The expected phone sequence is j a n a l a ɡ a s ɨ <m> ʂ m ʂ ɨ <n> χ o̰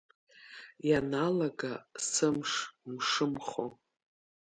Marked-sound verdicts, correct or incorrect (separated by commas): correct, incorrect